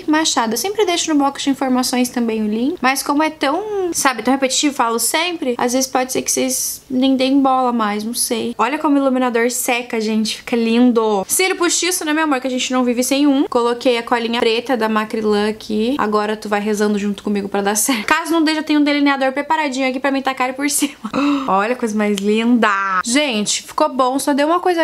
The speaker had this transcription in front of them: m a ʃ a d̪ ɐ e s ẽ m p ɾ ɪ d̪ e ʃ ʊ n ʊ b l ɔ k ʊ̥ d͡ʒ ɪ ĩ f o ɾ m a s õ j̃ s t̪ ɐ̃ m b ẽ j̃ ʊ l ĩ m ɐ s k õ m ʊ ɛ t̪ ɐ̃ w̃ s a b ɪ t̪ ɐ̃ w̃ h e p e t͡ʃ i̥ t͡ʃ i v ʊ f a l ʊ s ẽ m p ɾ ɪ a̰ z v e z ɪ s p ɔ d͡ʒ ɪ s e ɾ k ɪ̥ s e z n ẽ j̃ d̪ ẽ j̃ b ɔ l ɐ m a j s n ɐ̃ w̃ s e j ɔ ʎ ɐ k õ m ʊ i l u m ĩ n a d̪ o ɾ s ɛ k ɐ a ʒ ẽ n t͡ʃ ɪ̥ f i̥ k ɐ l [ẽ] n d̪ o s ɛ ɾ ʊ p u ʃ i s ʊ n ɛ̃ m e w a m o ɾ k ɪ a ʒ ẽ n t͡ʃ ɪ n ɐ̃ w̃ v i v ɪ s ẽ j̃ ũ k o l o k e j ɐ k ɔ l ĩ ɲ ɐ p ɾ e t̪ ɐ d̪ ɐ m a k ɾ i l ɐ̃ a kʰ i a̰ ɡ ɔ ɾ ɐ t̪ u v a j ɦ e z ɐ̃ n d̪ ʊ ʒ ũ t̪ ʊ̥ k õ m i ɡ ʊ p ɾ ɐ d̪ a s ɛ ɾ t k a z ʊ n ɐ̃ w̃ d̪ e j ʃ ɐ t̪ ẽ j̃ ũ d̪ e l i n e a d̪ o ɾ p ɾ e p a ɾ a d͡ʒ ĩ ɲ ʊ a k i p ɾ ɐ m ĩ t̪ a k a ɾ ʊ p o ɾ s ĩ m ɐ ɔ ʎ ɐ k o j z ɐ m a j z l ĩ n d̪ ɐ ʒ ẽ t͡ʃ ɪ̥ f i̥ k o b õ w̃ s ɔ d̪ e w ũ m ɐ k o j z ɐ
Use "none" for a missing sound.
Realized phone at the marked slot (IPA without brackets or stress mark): ĩ